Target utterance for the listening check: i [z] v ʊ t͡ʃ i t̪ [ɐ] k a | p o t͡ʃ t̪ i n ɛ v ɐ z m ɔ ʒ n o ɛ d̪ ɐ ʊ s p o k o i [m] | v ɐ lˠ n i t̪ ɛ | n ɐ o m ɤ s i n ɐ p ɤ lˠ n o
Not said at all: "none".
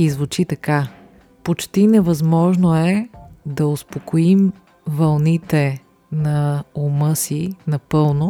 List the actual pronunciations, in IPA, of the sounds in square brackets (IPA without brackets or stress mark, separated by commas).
z, ɐ, m